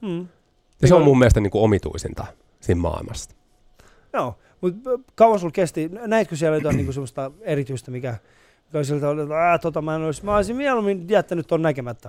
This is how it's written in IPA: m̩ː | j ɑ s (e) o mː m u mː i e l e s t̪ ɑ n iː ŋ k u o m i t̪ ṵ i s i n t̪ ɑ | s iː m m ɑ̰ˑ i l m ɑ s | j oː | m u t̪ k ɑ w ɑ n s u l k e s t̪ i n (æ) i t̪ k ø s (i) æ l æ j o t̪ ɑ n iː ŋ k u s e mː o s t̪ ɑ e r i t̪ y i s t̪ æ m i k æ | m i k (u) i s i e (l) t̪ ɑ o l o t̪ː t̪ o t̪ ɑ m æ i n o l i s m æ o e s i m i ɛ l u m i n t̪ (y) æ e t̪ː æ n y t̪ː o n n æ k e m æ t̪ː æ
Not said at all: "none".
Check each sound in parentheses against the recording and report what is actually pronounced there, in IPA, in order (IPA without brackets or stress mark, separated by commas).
e, æ, i, o, l, i